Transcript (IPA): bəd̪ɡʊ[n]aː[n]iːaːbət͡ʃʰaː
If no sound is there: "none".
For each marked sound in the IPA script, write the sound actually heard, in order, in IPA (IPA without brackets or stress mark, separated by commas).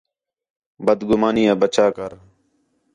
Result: m, n